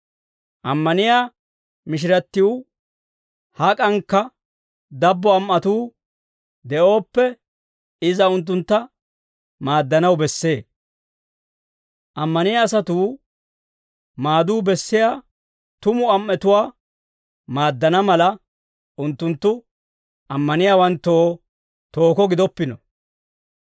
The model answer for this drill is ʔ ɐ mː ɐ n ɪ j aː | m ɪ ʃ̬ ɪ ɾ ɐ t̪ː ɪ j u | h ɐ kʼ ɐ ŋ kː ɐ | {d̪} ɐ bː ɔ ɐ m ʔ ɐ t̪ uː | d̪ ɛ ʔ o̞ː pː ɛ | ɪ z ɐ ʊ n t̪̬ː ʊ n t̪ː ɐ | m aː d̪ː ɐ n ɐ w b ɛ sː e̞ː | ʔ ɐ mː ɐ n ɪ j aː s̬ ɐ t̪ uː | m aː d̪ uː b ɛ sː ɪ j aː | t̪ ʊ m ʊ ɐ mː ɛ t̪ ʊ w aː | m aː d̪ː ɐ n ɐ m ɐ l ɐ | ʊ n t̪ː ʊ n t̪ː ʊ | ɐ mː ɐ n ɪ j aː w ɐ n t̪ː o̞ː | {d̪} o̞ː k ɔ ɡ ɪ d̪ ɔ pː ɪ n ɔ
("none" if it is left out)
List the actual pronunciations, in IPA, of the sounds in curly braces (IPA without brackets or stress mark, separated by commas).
d̪, t̪